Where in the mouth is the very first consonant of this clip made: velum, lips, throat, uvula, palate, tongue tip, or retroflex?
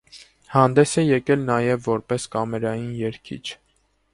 throat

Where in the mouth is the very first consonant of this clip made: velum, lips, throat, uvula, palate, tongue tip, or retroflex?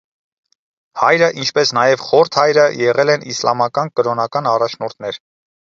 throat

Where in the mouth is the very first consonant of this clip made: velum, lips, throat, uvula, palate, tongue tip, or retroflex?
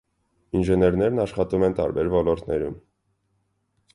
tongue tip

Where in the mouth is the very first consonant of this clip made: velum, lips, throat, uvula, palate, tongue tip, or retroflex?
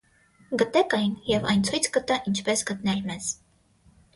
velum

